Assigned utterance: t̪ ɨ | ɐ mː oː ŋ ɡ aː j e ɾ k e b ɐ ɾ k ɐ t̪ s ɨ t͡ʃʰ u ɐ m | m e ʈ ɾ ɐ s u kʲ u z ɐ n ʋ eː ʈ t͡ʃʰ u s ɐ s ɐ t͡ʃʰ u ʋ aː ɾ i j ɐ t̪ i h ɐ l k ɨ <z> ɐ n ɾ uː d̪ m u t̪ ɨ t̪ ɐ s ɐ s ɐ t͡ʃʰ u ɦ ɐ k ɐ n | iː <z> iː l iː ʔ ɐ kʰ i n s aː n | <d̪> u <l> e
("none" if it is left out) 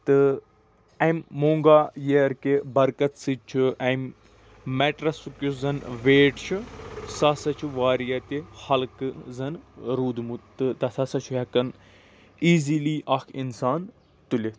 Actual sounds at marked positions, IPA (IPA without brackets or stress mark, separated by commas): z, z, t̪, l